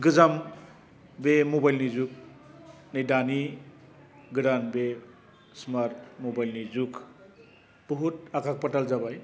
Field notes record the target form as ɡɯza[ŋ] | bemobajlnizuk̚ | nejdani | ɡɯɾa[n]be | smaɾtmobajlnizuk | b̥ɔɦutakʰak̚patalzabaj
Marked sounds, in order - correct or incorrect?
incorrect: m, correct

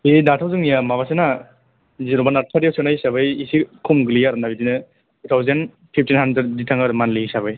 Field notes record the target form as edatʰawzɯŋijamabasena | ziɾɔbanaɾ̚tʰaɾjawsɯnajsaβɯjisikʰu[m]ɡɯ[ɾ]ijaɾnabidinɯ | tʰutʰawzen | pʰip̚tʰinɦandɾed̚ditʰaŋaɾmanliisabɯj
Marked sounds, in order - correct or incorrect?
correct, incorrect: l

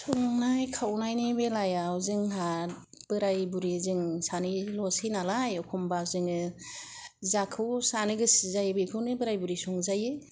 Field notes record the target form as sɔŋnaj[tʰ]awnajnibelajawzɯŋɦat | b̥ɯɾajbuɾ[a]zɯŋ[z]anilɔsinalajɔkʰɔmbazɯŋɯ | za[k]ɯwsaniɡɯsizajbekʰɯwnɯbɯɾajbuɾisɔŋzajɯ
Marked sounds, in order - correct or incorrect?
incorrect: kʰ, incorrect: i, incorrect: s, incorrect: kʰ

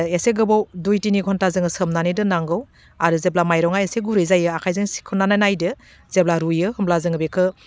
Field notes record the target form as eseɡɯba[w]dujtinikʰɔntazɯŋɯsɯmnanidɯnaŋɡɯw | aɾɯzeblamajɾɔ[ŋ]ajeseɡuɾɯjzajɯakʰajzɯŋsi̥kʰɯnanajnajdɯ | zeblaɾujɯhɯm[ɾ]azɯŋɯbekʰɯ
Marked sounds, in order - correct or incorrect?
correct, correct, incorrect: l

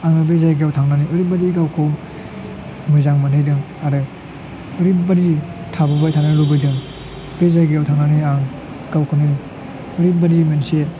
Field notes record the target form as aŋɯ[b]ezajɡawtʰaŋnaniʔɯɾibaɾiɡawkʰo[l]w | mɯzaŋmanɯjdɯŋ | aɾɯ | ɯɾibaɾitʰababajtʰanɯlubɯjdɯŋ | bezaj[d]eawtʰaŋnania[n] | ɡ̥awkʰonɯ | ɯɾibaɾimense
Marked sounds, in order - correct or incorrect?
correct, incorrect: none, incorrect: ɡ, incorrect: ŋ

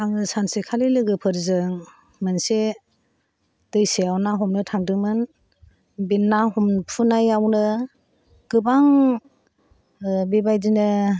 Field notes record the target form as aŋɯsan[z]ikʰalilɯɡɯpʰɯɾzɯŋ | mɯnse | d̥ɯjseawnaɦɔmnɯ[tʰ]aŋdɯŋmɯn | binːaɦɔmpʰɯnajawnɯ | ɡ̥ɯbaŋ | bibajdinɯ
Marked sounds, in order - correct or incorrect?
incorrect: s, correct

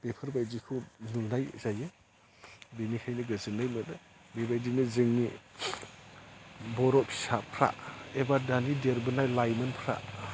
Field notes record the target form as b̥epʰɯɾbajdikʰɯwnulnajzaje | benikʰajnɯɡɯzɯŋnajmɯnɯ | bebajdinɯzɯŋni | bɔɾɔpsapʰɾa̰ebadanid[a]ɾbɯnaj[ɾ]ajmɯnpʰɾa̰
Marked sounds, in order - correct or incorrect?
incorrect: e, incorrect: l

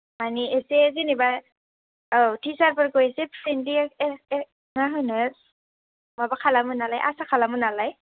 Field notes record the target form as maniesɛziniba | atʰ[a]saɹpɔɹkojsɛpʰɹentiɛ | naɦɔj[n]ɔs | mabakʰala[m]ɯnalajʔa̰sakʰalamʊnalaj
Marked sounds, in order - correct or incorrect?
incorrect: i, correct, correct

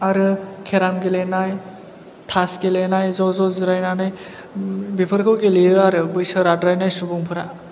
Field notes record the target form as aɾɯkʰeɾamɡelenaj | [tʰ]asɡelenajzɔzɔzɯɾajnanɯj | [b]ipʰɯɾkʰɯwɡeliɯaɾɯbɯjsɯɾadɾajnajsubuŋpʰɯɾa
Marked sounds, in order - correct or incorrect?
correct, correct

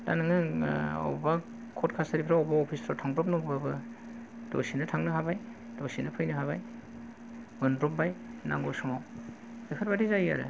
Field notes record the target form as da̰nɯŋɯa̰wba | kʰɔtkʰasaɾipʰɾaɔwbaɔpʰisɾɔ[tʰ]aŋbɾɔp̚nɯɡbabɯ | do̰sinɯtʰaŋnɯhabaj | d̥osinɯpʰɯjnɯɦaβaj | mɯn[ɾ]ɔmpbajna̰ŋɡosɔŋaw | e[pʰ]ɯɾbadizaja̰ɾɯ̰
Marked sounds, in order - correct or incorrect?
correct, correct, incorrect: kʰ

